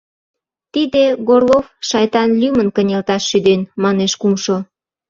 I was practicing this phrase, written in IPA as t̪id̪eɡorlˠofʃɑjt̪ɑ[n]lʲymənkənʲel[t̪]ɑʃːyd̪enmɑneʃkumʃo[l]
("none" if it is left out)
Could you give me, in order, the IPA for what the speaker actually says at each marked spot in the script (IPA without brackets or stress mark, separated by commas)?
n, t̪, none